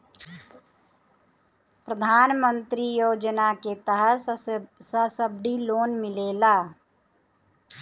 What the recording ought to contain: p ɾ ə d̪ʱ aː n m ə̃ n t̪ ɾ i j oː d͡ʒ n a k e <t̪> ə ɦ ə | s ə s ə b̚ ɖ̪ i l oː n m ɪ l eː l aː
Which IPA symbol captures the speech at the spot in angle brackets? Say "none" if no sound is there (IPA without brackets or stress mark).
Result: t̪